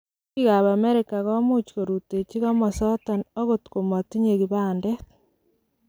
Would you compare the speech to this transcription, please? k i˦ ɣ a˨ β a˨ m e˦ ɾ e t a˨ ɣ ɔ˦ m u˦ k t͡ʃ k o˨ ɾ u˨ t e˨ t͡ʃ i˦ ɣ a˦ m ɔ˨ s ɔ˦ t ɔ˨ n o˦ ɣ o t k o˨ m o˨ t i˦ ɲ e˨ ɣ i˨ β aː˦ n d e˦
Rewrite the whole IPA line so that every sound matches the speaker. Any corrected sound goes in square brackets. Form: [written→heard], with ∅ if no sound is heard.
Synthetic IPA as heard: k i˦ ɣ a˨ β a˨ m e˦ ɾ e [t→k] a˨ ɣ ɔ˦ m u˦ [k→∅] t͡ʃ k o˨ ɾ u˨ t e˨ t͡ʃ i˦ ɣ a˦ m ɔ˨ s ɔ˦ t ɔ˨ n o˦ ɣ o t k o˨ m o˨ t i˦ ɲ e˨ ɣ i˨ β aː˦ n d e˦